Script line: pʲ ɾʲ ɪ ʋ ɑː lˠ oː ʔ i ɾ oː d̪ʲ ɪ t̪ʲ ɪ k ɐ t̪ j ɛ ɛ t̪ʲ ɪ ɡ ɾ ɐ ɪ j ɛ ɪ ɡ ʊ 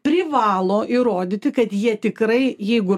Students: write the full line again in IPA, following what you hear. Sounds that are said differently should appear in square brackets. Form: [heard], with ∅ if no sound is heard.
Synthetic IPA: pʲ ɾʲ ɪ ʋ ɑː lˠ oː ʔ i ɾ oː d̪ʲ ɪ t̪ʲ ɪ k ɐ t̪ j [i] ɛ t̪ʲ ɪ [k] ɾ ɐ ɪ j ɛ ɪ ɡ ʊ